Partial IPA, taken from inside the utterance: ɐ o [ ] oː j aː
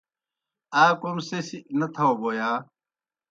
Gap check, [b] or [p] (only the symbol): b